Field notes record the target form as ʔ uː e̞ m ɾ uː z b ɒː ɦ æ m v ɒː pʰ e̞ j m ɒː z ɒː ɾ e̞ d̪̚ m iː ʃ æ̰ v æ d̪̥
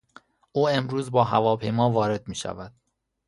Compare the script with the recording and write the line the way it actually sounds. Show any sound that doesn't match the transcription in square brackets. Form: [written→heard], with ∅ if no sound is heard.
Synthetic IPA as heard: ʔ uː e̞ m ɾ uː z b ɒː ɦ æ [m→∅] v ɒː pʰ e̞ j m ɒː [z→v] ɒː ɾ e̞ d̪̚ m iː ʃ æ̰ v æ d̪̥

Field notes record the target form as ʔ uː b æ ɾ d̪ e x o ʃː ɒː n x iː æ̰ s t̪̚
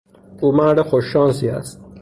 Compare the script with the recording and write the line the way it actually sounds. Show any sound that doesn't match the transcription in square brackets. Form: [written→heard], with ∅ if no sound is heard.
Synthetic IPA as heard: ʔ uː [b→m] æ ɾ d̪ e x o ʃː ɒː n [x→s] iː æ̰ s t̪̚

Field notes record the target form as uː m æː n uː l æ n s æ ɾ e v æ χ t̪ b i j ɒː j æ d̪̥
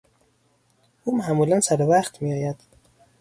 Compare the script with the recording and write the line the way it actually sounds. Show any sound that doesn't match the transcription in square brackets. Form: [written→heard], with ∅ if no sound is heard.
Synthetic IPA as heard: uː m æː [n→m] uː l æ n s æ ɾ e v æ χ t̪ [b→m] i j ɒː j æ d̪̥

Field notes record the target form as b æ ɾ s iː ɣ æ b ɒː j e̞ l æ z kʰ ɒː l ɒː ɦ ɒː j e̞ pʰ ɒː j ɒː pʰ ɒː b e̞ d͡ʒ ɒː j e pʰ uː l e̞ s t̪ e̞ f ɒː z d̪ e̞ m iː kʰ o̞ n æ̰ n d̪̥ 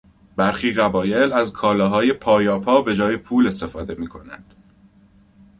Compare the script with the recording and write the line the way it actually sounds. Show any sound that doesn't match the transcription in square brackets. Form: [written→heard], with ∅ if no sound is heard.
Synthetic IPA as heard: b æ ɾ [s→x] iː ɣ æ b ɒː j e̞ l æ z kʰ ɒː l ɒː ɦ ɒː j e̞ pʰ ɒː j ɒː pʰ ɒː b e̞ d͡ʒ ɒː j e pʰ uː l e̞ s t̪ e̞ f ɒː [z→∅] d̪ e̞ m iː kʰ o̞ n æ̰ n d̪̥

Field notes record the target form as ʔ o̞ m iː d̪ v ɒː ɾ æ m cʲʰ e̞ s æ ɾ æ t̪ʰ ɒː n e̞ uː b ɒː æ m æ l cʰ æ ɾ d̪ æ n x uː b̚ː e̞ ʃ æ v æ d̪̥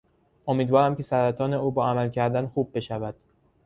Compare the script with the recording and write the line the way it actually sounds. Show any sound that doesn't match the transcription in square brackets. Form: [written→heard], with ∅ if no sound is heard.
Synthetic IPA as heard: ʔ o̞ m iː d̪ v ɒː ɾ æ m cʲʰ e̞ s æ ɾ æ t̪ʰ ɒː n e̞ uː b ɒː æ m æ l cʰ æ ɾ d̪ æ n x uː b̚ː e̞ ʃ æ v æ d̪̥

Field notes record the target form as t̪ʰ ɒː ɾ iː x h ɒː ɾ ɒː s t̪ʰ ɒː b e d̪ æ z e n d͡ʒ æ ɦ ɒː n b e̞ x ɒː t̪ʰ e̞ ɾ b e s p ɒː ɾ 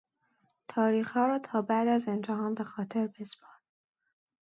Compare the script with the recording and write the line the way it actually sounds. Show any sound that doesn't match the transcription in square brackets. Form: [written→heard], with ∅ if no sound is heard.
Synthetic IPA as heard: t̪ʰ ɒː ɾ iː x h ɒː ɾ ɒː [s→∅] t̪ʰ ɒː b [e→æ] d̪ æ z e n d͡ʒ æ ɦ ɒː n b e̞ x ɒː t̪ʰ e̞ ɾ b e s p ɒː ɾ

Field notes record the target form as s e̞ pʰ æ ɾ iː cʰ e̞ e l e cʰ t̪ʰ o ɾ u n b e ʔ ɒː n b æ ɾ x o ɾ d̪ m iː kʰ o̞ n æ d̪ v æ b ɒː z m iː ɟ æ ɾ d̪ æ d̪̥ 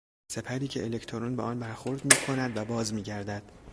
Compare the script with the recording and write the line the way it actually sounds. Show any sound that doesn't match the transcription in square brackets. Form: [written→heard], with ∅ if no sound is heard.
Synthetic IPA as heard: s e̞ pʰ æ ɾ iː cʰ e̞ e l e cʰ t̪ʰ o ɾ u n b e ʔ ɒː n b æ ɾ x o ɾ d̪ m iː kʰ o̞ n æ d̪ v æ b ɒː z m iː ɟ æ ɾ d̪ æ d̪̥

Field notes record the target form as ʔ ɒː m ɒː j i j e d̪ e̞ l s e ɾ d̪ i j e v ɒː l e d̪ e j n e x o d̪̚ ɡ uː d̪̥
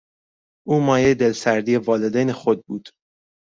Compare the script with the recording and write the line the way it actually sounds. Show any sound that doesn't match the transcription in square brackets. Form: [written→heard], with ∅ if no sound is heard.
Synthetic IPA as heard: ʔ [ɒː→uː] m ɒː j [i→e] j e d̪ e̞ l s [e→æ] ɾ d̪ i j e v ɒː l e d̪ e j n e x o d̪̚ [ɡ→b] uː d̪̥

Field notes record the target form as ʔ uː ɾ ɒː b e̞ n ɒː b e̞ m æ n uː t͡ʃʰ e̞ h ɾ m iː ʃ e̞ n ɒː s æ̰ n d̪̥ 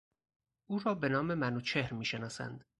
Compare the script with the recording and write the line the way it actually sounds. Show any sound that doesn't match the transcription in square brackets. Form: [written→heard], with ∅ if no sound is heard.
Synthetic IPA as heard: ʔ uː ɾ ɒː b e̞ n ɒː [b→m] e̞ m æ n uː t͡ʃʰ e̞ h ɾ m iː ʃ e̞ n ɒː s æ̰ n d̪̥

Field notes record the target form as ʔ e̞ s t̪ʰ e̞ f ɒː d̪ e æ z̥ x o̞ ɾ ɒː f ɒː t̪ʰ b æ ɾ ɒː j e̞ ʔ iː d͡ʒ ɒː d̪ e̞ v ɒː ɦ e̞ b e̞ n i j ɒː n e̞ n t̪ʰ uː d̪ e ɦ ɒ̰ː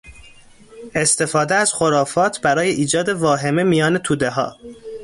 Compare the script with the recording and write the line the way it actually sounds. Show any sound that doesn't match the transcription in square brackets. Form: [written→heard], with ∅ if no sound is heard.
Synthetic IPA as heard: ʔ e̞ s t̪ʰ e̞ f ɒː d̪ e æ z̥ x o̞ ɾ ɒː f ɒː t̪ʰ b æ ɾ ɒː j e̞ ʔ iː d͡ʒ ɒː d̪ e̞ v ɒː ɦ e̞ [b→m] e̞ [n→m] i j ɒː n e̞ [n→∅] t̪ʰ uː d̪ e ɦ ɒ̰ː

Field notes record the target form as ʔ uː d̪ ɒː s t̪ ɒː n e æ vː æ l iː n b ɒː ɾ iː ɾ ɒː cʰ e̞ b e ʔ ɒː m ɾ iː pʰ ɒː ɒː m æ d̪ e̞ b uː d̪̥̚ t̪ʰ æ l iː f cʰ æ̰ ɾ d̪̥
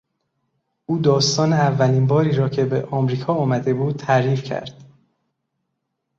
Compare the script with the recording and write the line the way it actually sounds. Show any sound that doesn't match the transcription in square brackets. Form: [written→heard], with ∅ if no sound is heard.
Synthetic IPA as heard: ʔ uː d̪ ɒː s t̪ ɒː n e æ vː æ l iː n b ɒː ɾ iː ɾ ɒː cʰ e̞ b e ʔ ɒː m ɾ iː [pʰ→kʰ] ɒː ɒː m æ d̪ e̞ b uː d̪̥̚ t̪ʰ æ [l→ɾ] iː f cʰ æ̰ ɾ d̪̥

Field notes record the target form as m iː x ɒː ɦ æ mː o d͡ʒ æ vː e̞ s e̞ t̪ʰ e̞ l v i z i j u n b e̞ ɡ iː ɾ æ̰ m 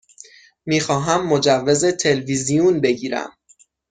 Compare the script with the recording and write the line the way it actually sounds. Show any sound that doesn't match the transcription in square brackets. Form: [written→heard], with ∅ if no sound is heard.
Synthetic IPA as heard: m iː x ɒː ɦ æ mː o d͡ʒ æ vː e̞ [s→z] e̞ t̪ʰ e̞ l v i z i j u n b e̞ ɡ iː ɾ æ̰ m

